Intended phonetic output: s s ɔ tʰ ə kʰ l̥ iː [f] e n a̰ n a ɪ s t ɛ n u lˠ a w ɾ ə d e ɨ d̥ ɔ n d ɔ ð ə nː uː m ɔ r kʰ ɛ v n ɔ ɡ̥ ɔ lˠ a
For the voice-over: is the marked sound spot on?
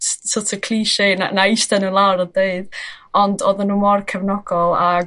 no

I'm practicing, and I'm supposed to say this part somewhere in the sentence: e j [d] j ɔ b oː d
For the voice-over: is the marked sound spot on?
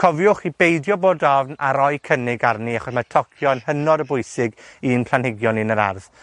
yes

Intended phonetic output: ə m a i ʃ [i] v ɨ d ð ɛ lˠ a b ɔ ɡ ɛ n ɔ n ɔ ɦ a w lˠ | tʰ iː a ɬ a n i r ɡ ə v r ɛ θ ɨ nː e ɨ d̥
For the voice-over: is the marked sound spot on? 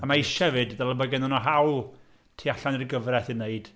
no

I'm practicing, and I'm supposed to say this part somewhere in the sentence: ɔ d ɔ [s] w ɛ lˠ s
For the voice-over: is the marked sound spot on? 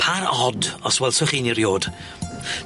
yes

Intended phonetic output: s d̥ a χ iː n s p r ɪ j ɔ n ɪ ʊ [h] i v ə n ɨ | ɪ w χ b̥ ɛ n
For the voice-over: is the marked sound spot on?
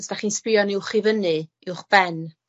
no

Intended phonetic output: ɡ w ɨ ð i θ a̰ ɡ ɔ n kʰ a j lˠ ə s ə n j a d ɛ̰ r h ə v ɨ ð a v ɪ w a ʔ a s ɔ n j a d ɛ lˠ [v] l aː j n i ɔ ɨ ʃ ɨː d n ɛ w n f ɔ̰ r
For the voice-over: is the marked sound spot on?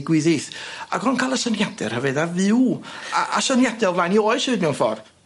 yes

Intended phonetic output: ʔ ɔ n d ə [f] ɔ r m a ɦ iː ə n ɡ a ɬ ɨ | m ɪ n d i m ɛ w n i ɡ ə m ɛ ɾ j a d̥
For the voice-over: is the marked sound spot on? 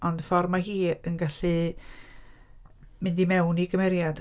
yes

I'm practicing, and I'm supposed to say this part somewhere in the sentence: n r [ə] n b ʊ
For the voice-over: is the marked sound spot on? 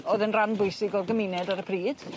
no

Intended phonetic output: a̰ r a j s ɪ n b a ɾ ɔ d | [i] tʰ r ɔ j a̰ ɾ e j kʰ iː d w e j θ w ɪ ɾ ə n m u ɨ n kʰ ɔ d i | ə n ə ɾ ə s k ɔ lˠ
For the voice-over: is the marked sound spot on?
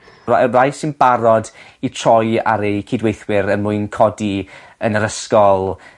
yes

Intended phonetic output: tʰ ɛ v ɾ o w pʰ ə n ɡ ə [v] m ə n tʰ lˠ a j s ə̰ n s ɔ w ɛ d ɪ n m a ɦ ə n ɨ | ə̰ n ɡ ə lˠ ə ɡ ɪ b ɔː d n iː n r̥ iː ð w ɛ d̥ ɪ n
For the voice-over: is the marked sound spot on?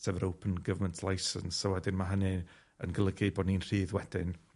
yes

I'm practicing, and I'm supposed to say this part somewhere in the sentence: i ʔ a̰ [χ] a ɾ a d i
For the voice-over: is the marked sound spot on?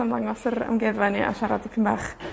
no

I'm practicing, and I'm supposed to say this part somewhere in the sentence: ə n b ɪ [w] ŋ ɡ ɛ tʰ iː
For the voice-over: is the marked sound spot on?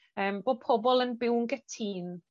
yes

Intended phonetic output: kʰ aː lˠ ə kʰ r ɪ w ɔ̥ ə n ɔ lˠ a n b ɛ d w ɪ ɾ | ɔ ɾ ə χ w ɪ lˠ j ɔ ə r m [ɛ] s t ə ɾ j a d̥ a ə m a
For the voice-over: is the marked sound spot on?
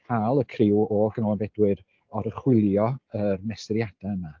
yes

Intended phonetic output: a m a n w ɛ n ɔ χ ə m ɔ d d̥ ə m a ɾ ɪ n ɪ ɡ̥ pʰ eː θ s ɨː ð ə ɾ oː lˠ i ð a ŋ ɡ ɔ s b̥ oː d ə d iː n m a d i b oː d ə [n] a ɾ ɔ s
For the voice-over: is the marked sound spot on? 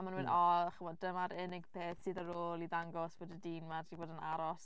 yes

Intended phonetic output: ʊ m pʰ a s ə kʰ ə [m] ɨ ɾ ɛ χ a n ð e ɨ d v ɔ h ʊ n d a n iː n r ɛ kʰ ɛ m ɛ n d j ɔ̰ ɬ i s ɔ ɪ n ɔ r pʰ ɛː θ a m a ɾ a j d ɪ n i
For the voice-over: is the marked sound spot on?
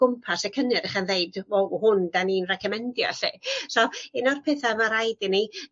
no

